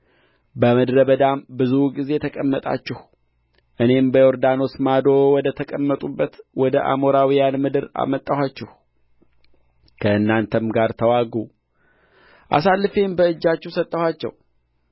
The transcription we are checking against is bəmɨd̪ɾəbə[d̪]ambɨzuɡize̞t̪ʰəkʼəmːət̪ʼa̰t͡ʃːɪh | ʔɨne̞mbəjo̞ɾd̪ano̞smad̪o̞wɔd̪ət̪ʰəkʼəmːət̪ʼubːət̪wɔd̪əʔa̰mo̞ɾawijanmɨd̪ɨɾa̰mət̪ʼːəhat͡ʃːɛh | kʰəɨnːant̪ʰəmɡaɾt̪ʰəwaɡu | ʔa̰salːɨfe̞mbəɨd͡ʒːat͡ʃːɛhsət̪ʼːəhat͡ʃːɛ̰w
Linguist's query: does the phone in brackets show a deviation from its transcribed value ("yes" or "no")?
no